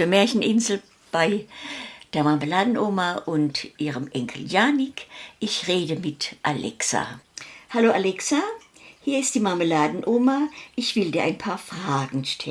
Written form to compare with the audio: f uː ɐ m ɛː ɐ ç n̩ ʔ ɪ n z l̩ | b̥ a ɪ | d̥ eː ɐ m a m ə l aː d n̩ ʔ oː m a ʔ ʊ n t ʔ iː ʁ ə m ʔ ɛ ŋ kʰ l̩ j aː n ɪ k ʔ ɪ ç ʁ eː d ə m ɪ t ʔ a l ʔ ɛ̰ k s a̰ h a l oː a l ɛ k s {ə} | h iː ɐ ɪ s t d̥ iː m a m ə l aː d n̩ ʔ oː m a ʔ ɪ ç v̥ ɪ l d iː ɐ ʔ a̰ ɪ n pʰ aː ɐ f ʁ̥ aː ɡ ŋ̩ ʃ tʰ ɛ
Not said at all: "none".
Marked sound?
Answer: a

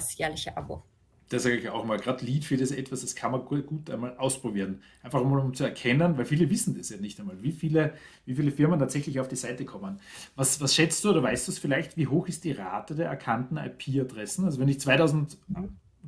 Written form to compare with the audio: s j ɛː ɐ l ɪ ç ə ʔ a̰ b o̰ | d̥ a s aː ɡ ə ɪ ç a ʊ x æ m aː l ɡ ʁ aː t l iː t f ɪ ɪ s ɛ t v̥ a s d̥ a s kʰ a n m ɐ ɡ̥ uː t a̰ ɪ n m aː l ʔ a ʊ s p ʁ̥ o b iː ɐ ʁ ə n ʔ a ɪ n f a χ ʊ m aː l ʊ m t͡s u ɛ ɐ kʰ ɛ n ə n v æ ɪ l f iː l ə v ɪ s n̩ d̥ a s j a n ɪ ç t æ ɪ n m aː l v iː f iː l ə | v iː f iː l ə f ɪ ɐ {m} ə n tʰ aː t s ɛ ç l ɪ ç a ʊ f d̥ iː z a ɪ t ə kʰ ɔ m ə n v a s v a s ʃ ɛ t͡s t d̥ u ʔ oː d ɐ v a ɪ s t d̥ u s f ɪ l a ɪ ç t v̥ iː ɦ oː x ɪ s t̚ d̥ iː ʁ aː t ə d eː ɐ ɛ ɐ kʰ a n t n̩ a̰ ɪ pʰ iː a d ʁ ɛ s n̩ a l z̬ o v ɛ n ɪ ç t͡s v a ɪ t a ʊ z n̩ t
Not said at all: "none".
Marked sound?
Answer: m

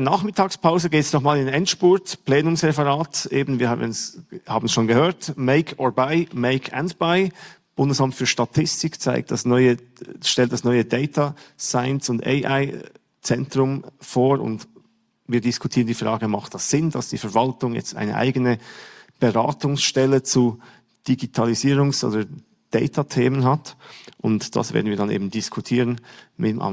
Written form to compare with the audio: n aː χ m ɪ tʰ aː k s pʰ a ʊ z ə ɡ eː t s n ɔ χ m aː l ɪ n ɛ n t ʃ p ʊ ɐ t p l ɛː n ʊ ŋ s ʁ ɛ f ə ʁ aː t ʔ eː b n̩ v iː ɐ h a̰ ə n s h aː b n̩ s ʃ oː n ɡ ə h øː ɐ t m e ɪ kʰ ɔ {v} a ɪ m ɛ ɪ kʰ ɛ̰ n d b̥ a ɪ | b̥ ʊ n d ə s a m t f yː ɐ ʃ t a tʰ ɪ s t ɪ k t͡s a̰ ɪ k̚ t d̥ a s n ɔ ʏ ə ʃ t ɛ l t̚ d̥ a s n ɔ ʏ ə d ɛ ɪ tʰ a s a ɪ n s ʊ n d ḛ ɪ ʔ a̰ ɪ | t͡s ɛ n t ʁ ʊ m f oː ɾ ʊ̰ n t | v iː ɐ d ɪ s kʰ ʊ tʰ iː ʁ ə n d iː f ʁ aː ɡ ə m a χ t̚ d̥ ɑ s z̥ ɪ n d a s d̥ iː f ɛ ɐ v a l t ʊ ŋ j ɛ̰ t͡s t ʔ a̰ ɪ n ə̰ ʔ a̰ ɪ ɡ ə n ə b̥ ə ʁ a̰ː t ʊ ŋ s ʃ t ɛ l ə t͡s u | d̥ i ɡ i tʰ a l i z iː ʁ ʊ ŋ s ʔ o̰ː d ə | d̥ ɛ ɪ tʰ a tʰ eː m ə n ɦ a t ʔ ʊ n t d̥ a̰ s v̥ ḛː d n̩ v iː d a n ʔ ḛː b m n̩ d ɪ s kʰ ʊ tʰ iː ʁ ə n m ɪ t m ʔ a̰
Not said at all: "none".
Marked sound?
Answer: b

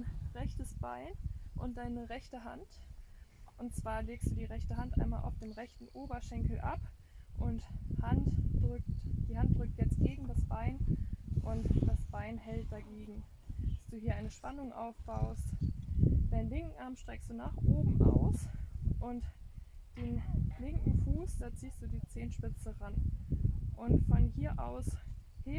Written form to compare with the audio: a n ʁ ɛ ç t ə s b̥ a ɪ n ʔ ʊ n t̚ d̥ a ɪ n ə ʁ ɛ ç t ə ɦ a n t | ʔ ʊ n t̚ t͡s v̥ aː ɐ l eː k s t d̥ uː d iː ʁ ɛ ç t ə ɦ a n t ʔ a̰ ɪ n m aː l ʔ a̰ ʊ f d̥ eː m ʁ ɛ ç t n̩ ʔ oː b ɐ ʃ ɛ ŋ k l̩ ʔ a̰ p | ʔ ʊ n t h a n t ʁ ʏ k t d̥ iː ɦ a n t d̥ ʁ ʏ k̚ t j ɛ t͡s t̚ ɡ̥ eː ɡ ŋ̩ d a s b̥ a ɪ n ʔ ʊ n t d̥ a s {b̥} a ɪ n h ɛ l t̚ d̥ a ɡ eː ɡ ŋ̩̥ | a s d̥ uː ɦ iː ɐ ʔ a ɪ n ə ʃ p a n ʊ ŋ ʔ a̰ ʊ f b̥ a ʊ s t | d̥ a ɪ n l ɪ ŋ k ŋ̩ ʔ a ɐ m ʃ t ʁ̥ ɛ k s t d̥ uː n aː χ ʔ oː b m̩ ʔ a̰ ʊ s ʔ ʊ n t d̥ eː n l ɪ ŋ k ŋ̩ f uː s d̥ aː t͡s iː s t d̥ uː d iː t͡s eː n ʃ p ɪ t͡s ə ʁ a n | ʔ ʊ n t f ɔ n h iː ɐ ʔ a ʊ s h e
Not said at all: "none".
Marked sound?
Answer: b̥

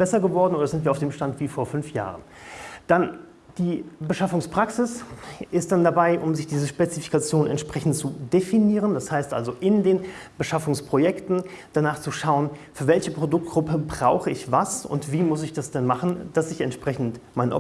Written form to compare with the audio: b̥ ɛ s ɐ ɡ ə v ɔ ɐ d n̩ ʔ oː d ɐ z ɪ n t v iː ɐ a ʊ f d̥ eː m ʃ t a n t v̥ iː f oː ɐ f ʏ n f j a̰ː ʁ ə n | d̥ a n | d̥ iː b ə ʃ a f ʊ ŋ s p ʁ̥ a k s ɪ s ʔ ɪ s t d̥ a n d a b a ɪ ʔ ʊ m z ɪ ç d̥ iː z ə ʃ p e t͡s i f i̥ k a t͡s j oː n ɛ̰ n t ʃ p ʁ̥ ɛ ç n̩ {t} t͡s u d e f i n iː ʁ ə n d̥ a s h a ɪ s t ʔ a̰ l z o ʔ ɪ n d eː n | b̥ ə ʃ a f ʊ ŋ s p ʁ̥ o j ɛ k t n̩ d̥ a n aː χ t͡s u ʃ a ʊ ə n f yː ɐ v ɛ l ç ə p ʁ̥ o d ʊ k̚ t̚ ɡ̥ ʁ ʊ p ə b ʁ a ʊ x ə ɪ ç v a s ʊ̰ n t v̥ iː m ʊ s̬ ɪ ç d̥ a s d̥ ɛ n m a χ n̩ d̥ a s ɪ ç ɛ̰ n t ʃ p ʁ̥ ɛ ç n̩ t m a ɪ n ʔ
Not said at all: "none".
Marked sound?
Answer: t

